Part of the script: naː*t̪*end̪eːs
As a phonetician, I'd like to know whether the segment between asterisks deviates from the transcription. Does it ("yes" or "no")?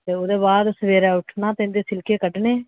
no